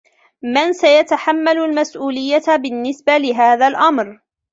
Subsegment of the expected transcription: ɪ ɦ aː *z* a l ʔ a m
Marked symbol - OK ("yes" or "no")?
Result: no